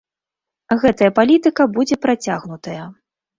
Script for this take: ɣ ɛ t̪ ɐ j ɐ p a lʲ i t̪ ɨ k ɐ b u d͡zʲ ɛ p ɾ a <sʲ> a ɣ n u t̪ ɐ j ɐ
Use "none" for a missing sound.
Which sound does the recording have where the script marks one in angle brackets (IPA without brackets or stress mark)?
t͡sʲ